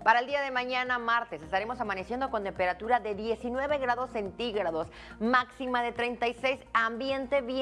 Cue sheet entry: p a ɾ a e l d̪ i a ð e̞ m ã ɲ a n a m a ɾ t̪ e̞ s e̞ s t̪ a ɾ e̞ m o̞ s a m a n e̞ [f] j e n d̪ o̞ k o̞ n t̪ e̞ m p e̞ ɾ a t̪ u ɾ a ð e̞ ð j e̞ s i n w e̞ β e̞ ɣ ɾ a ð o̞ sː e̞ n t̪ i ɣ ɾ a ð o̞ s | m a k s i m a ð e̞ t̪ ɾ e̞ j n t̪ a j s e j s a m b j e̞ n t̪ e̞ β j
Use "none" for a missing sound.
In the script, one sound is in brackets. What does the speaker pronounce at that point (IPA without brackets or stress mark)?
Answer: s